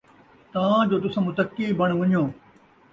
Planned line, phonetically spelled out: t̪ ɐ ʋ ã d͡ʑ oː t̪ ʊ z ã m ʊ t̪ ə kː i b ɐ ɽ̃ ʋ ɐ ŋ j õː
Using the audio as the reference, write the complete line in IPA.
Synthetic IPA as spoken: t̪ ɐ ʋ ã d͡ʑ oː t̪ ʊ s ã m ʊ t̪ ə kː i b ɐ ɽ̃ ʋ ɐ ɲ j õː

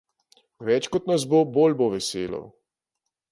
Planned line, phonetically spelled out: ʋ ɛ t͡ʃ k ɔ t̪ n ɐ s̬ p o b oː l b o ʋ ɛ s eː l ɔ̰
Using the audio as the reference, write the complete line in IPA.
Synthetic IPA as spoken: ʋ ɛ t͡ʃ k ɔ t̪ n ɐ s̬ b o b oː l b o ʋ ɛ s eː l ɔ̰

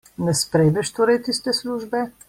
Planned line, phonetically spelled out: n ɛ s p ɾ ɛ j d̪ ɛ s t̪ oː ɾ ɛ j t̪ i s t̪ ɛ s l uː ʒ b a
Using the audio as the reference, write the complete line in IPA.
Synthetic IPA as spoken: n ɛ s p ɾ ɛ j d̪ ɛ ʃ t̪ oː ɾ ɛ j t̪ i s t̪ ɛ s l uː ʒ b ɛ

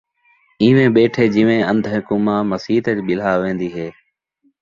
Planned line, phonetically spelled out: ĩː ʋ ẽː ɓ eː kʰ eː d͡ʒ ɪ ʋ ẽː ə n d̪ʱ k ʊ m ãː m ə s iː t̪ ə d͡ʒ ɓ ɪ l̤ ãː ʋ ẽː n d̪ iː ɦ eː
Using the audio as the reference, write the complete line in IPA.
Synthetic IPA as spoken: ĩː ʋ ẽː ɓ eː ʈʰ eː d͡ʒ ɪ ʋ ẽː ə n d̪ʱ k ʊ m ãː m ə s iː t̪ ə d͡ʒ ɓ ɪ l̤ aː ʋ ẽː n d̪ iː ɦ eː

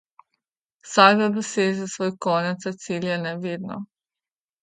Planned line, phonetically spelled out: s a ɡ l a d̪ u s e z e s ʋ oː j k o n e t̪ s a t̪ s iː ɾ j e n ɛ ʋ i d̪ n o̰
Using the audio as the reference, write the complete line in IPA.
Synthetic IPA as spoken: s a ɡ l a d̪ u s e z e s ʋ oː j k o n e t̪ s a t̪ s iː l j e n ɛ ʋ i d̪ n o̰

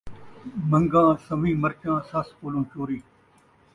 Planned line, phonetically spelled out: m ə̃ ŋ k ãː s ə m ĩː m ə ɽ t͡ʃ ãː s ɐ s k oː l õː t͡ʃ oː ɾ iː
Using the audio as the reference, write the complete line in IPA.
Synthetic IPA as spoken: m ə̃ ŋ ɡ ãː s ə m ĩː m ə ɾ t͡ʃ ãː s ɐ s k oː l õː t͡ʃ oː ɾ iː

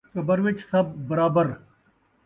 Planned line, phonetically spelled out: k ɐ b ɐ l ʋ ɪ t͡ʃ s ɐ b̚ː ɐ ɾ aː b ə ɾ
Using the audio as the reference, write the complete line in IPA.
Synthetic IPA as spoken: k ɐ b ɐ ɾ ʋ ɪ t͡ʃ s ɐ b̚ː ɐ ɾ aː b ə ɾ

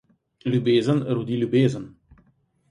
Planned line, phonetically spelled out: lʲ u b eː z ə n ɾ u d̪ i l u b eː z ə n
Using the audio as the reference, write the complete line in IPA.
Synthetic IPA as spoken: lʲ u b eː z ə n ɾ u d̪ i l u b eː z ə n

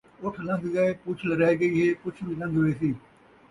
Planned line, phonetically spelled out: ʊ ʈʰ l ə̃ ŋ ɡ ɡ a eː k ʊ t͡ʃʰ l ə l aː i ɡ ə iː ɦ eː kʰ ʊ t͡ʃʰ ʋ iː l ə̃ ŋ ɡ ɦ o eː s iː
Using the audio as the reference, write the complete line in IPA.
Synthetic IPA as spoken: ʊ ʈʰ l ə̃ ŋ ɡ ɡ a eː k ʊ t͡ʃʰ l ə ɾ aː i ɡ ə iː ɦ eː k ʊ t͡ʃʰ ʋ iː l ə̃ ŋ ɡ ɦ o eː s iː

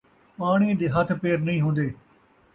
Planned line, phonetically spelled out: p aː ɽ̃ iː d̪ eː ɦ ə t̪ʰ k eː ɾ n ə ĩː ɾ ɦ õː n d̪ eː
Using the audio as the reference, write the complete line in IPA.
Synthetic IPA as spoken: p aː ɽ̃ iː d̪ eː ɦ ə t̪ʰ p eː ɾ n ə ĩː ɦ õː n d̪ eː

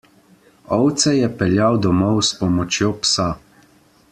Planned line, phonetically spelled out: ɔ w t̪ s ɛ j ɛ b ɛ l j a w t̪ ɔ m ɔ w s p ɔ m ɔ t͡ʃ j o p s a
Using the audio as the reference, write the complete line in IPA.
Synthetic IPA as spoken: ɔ w t̪ s ɛ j ɛ p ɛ l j a w d̪ ɔ m ɔ w s p ɔ m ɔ t͡ʃ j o p s a

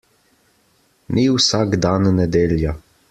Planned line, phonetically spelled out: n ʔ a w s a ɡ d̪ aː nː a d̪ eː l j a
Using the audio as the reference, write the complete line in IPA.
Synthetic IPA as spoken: n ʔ i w s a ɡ d̪ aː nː ɛ d̪ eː l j a

